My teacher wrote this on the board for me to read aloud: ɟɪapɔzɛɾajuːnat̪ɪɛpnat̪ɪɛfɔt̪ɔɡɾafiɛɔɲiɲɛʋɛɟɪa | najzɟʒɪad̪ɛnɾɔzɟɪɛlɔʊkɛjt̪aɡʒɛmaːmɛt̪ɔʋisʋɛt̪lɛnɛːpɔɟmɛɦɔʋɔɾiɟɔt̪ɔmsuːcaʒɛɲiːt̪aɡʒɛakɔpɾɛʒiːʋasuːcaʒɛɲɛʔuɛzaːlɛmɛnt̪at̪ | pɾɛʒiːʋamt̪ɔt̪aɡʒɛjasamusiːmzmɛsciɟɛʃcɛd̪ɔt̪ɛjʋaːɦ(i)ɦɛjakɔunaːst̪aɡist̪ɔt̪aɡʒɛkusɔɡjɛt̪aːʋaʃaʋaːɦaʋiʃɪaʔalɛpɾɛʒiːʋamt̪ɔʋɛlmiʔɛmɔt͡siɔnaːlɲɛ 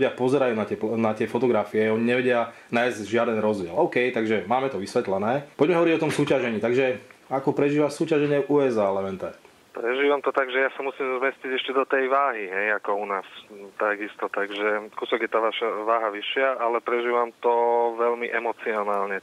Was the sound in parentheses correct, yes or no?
yes